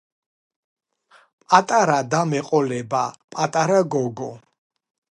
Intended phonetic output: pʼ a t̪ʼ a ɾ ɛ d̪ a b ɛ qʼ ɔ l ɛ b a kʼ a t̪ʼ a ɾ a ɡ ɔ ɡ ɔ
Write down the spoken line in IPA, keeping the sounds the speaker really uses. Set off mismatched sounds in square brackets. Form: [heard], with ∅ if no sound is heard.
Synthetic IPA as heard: pʼ a t̪ʼ a ɾ [a] d̪ a [m] ɛ qʼ ɔ l ɛ b a [pʼ] a t̪ʼ a ɾ a ɡ ɔ ɡ ɔ